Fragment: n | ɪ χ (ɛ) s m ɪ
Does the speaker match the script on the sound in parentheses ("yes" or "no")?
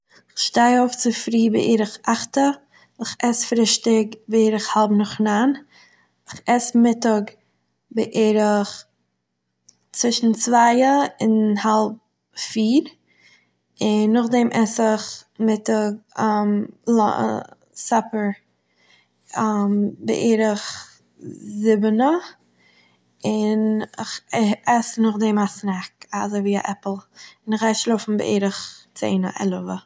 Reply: yes